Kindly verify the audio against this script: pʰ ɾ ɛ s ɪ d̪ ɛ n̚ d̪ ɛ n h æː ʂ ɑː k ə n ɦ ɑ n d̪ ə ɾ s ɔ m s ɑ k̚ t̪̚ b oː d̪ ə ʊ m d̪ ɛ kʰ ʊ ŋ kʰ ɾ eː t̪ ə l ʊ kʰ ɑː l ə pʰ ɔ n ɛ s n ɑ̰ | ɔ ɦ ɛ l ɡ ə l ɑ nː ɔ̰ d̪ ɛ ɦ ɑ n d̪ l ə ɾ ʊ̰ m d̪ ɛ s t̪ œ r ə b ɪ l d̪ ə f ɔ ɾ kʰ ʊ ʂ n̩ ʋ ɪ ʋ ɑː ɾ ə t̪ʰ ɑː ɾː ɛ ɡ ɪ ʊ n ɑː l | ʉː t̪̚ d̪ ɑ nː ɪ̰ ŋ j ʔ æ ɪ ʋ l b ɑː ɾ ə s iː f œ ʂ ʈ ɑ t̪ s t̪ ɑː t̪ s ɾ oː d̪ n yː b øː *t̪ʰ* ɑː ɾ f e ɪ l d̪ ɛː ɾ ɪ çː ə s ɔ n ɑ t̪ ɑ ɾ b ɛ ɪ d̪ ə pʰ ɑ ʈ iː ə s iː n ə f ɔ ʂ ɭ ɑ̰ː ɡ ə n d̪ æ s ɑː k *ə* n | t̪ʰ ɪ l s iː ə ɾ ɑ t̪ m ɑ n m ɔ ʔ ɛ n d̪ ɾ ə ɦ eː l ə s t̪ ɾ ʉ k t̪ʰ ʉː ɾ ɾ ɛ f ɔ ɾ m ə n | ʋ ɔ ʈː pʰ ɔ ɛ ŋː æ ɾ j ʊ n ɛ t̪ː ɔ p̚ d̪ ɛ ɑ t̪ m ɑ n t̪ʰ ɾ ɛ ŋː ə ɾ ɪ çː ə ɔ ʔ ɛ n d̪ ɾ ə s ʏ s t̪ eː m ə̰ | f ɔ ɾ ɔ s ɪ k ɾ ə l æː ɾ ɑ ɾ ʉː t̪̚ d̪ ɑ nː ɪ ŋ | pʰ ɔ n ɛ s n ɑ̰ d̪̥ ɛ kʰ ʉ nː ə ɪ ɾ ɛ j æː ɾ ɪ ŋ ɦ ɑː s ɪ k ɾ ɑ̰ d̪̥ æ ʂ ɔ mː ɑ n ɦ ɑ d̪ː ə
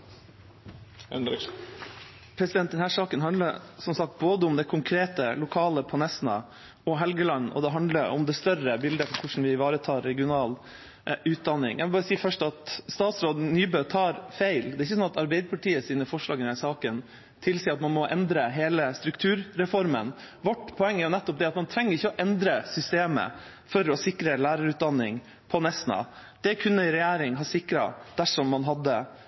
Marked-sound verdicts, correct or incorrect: correct, correct

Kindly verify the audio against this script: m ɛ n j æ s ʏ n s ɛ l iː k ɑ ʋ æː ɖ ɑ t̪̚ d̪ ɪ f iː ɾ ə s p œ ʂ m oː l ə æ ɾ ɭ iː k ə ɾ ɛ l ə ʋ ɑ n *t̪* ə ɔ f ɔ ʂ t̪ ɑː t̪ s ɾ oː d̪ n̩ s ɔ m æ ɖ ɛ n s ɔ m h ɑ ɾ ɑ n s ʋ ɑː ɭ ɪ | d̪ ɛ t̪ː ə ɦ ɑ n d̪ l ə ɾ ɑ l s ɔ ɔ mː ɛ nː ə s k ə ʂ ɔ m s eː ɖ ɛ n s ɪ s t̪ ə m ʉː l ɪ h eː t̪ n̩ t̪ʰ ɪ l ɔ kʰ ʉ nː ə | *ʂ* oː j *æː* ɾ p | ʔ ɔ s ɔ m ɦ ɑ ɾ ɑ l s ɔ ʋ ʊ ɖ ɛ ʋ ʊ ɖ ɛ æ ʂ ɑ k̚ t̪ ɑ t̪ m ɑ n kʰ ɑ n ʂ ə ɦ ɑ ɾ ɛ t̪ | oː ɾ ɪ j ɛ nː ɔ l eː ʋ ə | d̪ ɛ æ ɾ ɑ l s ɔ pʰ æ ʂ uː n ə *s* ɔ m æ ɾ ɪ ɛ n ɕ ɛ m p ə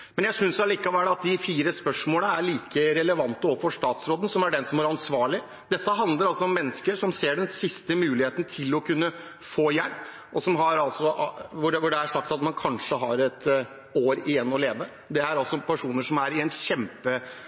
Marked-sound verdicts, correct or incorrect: correct, incorrect, incorrect, incorrect

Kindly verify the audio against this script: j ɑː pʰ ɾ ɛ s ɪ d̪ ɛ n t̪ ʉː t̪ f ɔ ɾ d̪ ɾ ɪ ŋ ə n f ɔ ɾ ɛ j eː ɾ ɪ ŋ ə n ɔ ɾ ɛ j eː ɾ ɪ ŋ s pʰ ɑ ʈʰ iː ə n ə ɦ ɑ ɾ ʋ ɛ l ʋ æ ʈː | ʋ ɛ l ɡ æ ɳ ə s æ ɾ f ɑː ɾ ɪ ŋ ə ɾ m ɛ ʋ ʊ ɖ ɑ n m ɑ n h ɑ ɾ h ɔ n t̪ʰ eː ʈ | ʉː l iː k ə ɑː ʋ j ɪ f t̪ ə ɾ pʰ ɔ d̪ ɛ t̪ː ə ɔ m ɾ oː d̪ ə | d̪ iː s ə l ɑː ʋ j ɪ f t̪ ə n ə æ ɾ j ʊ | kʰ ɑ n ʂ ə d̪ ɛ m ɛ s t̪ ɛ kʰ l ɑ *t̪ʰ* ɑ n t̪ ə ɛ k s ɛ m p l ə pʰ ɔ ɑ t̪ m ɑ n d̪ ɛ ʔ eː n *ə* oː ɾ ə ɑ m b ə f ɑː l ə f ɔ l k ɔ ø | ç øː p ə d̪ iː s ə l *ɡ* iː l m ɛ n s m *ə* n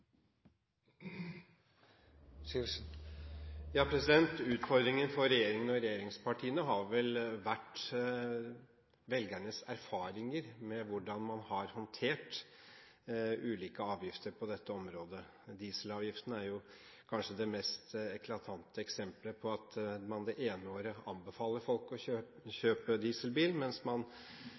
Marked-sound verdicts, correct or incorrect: correct, correct, incorrect, incorrect

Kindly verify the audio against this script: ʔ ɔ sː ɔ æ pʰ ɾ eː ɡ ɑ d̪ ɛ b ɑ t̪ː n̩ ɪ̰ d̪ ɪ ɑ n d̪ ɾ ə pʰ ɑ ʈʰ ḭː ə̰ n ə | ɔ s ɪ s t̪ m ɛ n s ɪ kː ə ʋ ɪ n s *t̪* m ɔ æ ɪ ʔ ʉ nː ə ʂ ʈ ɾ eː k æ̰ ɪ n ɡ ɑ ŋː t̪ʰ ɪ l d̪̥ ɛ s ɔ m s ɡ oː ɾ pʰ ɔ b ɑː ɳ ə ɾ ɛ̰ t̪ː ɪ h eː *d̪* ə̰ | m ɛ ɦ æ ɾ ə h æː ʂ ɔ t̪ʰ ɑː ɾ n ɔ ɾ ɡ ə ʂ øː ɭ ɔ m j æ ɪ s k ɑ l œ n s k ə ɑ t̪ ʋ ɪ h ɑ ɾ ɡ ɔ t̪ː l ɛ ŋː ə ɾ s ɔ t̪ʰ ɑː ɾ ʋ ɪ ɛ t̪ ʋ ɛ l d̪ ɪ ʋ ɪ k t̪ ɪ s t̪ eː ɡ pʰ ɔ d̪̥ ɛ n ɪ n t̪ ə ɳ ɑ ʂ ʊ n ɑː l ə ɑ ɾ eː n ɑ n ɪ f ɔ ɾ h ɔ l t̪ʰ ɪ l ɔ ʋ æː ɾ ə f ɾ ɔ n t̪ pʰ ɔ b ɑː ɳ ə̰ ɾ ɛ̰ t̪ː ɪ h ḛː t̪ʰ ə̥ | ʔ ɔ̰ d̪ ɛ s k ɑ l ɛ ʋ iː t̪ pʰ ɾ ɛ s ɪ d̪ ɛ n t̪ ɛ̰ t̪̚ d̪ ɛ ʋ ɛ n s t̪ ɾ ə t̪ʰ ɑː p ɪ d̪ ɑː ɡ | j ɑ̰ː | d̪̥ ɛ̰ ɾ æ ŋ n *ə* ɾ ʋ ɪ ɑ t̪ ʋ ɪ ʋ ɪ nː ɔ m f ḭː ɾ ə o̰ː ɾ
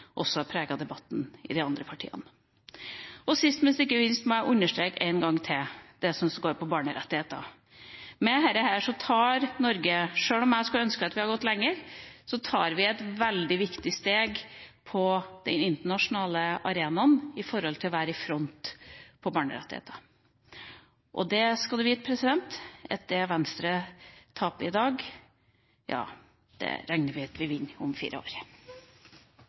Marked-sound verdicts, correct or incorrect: correct, incorrect, correct

